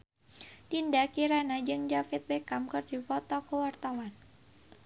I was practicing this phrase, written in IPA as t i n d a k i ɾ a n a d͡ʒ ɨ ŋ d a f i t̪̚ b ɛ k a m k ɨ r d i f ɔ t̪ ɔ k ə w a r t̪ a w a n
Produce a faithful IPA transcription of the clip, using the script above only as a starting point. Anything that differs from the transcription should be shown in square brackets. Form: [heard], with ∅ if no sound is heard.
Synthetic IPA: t i n d a k i ɾ a n a d͡ʒ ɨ ŋ [d͡ʒ] a f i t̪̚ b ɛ k a m k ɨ r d i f ɔ t̪ ɔ k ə w a r t̪ a w a n